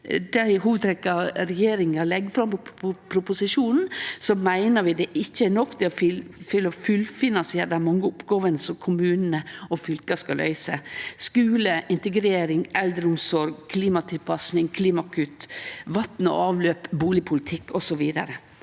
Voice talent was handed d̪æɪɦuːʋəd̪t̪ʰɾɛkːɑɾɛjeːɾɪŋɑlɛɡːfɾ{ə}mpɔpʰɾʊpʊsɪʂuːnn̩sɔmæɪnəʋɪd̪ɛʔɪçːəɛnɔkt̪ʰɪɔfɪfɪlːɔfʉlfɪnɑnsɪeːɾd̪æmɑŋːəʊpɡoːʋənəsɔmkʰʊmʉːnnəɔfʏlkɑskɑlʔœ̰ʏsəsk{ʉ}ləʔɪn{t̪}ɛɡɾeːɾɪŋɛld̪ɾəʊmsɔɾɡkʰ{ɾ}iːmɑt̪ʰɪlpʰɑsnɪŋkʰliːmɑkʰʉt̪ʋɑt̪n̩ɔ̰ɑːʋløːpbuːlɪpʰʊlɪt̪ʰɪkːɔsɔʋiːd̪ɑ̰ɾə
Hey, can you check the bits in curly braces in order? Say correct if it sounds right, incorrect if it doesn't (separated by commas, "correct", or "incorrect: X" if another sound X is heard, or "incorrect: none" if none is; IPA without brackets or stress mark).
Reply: incorrect: ɑ, incorrect: ʉː, correct, incorrect: l